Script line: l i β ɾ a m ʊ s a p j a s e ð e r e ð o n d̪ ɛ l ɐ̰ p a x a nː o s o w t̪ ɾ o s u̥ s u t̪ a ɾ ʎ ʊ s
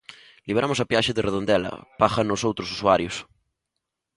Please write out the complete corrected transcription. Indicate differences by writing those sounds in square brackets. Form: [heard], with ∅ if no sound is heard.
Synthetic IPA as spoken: l i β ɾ a m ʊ s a p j a [ʃ] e ð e r e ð o n d̪ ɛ l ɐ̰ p a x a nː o s o w t̪ ɾ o s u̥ s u [∅] a ɾ [j] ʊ s